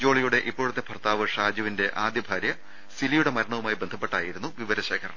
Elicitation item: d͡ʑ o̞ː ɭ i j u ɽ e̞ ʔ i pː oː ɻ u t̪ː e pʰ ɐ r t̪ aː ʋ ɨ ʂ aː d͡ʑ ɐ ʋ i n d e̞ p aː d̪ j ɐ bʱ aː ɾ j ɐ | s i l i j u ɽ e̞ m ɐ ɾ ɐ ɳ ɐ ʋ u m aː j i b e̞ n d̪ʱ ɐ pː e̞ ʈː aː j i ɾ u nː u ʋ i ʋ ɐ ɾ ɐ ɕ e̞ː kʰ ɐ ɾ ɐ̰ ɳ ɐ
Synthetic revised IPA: d͡ʑ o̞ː ɭ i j u ɽ e̞ ʔ i pː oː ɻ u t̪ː e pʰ ɐ r t̪ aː ʋ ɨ ʂ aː d͡ʑ ɐ ʋ i n d e̞ ʔ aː d̪ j ɐ bʱ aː ɾ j ɐ | s i l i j u ɽ e̞ m ɐ ɾ ɐ ɳ ɐ ʋ u m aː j i b e̞ n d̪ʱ ɐ pː e̞ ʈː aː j i ɾ u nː u ʋ i ʋ ɐ ɾ ɐ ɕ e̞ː kʰ ɐ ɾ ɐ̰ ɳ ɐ